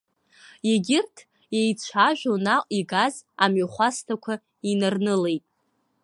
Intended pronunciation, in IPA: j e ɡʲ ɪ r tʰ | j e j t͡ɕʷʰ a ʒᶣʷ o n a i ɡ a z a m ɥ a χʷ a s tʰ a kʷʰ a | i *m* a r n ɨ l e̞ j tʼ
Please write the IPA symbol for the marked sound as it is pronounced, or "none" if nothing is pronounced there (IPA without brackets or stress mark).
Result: n